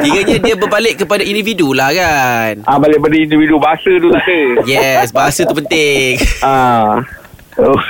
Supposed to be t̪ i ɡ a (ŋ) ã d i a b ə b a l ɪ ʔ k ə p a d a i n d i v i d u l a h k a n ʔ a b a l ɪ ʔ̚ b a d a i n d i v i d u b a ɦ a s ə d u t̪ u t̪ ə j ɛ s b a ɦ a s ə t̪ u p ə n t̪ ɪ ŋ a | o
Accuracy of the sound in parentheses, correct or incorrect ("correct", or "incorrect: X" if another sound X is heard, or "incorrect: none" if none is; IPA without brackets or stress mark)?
incorrect: ɲ